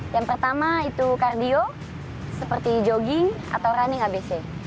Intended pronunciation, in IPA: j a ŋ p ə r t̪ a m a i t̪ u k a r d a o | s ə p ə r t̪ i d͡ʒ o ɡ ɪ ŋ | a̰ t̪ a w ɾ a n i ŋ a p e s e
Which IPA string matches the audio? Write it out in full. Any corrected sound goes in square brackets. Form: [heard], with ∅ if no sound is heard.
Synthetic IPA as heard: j a ŋ p ə r t̪ a m a i t̪ u k a r d [i] o | s ə p ə r t̪ i d͡ʒ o ɡ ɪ ŋ | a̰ t̪ a w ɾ a n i ŋ a [b] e s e